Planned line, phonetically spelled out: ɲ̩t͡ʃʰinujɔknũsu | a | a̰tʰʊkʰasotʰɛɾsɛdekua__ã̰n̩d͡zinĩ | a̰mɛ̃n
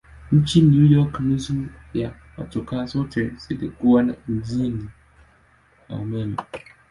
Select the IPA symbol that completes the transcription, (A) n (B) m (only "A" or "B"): A